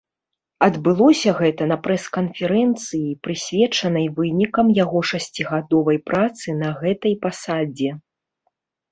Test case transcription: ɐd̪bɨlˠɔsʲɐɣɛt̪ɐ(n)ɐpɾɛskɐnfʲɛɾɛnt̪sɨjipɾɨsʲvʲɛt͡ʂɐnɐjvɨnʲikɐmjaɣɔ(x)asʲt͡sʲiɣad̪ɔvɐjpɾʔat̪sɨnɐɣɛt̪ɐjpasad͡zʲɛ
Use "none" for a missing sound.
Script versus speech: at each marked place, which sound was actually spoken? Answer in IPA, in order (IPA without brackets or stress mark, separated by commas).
n, ʂ